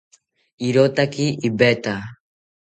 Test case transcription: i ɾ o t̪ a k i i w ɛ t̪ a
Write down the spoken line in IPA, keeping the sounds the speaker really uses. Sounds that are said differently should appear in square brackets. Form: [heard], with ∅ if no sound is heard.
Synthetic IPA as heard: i ɾ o t̪ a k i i [b] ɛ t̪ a